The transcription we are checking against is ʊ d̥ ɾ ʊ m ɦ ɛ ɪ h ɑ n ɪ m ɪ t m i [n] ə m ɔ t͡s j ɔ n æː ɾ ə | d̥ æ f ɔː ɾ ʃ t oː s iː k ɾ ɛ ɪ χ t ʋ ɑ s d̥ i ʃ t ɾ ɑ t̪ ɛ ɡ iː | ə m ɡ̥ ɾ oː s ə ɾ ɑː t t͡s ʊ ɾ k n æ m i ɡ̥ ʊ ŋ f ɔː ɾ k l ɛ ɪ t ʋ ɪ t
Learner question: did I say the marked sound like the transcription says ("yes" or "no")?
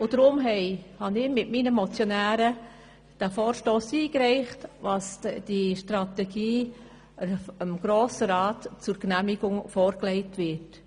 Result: yes